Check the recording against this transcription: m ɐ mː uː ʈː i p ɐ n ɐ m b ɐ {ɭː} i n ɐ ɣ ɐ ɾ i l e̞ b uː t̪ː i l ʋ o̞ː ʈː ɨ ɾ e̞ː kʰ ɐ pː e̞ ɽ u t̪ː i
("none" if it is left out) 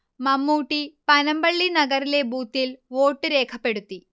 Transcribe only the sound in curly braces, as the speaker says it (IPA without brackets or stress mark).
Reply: ɭː